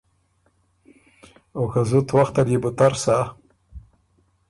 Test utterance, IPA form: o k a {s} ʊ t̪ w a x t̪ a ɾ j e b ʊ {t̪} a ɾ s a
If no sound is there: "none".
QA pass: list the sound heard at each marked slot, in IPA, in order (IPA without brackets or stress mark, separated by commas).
z, t̪